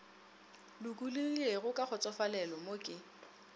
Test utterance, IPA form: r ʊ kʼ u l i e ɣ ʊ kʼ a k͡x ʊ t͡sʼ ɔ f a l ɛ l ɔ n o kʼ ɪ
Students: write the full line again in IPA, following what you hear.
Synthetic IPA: l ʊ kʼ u l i e ɣ ʊ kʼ a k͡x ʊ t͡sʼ ɔ f a l ɛ l ɔ m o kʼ ɪ